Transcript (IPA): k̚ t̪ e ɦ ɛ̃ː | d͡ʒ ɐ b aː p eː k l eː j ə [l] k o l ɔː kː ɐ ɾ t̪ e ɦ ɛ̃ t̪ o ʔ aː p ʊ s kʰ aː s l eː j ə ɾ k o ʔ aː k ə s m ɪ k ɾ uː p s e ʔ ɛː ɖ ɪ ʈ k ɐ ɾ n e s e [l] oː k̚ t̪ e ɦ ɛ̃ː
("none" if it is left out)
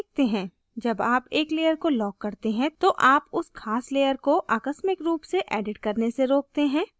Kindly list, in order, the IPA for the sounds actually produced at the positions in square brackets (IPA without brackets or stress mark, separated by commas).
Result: ɾ, ɾ